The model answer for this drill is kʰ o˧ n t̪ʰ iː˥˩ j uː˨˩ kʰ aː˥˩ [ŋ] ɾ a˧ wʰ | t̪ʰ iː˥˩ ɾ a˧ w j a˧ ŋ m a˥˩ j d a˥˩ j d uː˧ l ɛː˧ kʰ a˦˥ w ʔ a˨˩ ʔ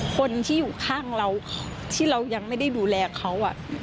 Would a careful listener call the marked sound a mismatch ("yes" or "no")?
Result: no